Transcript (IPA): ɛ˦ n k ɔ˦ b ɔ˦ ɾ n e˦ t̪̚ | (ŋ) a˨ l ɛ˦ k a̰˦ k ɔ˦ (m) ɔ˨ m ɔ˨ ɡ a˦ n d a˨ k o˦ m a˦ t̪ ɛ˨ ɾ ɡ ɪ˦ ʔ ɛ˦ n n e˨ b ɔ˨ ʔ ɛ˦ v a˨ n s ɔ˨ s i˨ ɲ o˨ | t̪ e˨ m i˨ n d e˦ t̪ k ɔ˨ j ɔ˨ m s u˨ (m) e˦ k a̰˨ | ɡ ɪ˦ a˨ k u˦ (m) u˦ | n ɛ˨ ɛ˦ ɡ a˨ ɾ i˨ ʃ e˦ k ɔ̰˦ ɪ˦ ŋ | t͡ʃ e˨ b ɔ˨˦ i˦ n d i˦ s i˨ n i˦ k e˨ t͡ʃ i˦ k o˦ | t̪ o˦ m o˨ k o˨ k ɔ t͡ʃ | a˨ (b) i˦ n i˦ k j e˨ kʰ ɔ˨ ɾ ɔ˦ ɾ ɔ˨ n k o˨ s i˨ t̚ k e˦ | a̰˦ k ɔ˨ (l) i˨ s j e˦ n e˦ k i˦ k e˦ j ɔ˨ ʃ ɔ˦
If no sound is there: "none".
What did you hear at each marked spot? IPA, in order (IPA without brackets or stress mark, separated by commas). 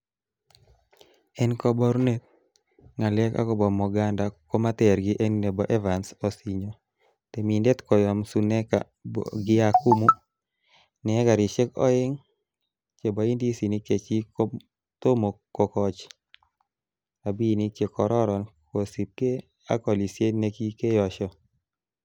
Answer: ŋ, b, n, m, b, l